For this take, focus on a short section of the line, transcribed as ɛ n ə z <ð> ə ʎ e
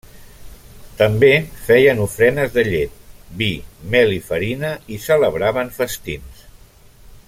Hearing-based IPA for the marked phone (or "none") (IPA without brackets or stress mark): ð